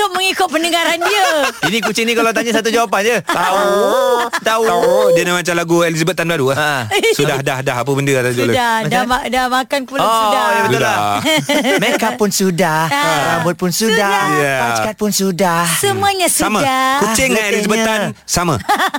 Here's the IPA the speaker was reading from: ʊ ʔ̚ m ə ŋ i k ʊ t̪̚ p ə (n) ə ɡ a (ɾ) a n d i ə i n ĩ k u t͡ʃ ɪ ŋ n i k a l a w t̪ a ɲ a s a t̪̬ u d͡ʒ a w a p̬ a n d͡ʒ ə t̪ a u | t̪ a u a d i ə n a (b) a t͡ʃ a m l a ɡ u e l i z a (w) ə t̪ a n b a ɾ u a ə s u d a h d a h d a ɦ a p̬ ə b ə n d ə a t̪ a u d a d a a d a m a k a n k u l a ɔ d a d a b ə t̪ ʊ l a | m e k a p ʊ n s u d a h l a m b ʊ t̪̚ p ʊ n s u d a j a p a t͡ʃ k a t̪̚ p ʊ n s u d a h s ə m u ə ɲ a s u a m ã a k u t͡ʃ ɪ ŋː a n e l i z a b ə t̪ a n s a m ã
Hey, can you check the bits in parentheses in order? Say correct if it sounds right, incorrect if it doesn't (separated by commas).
correct, correct, incorrect, incorrect